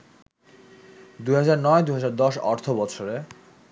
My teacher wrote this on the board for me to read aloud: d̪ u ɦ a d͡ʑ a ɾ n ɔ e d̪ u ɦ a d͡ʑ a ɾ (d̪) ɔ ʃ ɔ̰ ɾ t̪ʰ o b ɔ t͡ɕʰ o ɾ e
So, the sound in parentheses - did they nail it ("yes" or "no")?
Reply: yes